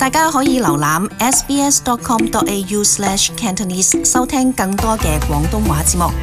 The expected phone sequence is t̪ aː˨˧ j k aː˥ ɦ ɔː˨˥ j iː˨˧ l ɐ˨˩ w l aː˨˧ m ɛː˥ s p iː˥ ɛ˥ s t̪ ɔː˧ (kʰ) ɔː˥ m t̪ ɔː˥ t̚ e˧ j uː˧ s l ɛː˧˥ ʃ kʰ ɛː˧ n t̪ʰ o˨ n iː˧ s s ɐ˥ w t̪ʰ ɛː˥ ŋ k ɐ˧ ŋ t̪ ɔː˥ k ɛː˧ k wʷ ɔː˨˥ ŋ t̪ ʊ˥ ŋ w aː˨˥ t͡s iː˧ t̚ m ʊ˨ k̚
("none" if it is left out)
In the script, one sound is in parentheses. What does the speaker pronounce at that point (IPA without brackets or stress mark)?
kʰ